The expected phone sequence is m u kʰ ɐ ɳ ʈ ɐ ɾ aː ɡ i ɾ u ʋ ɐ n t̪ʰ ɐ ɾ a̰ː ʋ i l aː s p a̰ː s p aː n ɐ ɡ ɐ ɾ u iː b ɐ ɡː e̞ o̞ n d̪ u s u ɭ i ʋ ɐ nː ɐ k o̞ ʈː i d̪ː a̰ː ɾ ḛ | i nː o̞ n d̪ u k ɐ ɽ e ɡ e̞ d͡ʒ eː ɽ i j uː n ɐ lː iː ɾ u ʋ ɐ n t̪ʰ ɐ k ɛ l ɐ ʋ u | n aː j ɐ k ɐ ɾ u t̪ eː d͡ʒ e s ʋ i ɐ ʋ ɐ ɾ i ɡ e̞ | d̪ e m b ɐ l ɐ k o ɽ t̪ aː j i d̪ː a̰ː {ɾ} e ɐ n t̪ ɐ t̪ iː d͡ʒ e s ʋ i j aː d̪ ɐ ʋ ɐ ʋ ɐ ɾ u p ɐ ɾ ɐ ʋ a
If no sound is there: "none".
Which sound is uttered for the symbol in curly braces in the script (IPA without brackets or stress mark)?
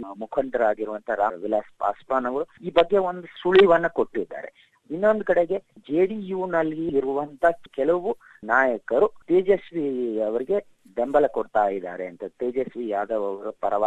ɾ